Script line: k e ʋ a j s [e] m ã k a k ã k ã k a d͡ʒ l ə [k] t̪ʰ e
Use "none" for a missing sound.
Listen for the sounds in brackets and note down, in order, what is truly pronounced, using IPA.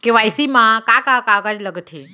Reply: i, ɡ

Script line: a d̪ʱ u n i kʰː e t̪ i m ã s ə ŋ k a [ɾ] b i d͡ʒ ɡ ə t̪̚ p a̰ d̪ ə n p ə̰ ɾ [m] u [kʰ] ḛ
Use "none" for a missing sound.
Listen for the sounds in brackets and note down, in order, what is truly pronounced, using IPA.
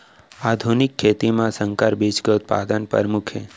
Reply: ɾ, m, kʰ

